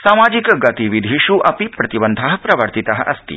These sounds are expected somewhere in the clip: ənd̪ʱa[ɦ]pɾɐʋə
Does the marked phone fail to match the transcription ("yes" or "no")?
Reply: no